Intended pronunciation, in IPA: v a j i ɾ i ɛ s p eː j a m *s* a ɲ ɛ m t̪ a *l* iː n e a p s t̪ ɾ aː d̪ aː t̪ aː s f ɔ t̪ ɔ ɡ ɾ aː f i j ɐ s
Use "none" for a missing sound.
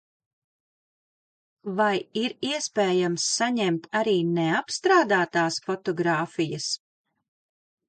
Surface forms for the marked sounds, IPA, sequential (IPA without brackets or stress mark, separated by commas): sː, ɾ